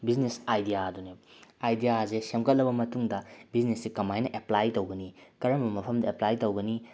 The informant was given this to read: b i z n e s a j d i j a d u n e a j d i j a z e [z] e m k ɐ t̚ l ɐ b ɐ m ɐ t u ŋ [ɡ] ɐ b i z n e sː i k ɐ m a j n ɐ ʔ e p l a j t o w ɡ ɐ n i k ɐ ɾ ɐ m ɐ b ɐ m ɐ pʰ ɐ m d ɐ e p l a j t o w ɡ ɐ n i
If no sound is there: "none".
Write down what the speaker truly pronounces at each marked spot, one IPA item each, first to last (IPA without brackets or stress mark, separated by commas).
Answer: s, d